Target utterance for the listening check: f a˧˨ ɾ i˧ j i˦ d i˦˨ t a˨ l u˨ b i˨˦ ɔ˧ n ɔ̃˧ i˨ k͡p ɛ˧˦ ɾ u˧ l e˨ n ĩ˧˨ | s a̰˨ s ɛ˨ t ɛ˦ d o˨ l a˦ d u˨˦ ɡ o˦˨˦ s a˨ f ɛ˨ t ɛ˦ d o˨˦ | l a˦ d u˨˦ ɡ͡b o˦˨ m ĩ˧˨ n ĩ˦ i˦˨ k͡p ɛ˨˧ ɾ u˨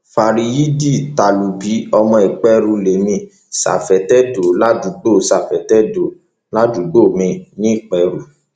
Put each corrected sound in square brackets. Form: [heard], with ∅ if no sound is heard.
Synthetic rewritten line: f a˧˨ ɾ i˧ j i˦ d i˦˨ t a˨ l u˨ b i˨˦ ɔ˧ [m] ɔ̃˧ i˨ k͡p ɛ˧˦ ɾ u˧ l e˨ [m] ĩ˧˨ | s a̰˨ [f] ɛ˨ t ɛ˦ d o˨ l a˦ d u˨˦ [ɡ͡b] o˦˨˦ s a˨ f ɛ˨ t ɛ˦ d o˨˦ | l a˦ d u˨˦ ɡ͡b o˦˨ m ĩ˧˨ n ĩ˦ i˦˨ k͡p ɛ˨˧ ɾ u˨